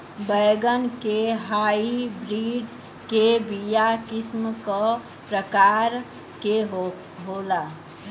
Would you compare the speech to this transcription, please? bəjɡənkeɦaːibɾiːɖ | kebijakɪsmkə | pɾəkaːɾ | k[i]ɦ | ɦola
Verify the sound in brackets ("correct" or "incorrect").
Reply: incorrect